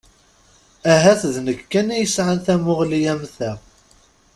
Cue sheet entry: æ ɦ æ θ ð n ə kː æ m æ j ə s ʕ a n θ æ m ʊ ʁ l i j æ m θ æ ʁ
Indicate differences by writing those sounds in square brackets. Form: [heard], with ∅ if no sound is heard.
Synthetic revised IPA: æ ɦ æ θ ð n ə kː æ [n] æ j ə s ʕ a n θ æ m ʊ ʁ l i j æ m θ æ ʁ